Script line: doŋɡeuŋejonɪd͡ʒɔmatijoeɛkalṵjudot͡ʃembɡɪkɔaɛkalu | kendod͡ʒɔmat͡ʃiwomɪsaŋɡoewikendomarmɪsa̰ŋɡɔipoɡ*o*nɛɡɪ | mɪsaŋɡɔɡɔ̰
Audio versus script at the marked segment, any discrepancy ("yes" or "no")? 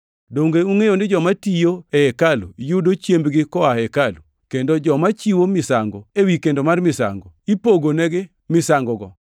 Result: no